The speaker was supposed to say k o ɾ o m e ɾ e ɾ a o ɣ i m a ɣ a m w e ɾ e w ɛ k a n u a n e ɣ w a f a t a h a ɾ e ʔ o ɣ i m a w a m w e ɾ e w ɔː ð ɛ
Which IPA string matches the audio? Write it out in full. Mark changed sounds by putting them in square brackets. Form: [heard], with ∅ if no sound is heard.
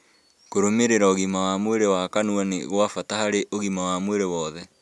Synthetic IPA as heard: k o ɾ o m e ɾ e ɾ a o ɣ i m a [w] a m w e ɾ e w [a] k a n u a n e ɣ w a f a t a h a ɾ e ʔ o ɣ i m a w a m w e ɾ e w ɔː ð ɛ